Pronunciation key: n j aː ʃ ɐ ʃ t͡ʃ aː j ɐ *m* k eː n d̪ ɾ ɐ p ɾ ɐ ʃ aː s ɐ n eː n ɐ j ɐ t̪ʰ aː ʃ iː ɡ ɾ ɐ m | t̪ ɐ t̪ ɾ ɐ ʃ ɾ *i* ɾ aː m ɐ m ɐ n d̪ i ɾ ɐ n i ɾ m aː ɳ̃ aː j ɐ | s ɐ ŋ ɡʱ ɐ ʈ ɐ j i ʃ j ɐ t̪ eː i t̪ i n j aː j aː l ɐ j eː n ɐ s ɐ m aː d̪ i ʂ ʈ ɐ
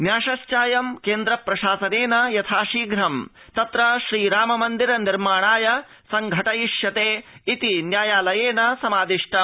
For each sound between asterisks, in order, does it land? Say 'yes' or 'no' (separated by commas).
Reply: yes, no